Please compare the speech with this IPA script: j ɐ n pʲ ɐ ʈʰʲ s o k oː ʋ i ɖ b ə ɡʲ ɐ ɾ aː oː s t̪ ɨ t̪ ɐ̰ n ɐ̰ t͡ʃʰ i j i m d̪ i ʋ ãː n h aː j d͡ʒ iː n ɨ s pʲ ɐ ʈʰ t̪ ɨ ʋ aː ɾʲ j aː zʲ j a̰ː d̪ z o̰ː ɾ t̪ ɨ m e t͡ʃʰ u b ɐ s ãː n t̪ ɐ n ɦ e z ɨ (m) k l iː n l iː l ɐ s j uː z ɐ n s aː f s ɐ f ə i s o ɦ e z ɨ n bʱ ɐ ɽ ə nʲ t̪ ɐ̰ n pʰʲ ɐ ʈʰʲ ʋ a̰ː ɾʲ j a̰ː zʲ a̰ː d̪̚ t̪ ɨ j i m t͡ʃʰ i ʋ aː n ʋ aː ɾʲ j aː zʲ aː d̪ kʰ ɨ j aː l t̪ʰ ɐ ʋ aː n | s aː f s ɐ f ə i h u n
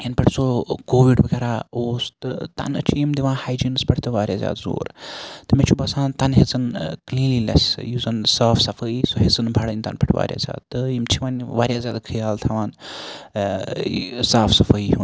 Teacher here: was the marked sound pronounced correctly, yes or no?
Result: no